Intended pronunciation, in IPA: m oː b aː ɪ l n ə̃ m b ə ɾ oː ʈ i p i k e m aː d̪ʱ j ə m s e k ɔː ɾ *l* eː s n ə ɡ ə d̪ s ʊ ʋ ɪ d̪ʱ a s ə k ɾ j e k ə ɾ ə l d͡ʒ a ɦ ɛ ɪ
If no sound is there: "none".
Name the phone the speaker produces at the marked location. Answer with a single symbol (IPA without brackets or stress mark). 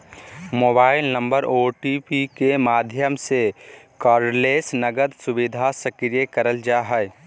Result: l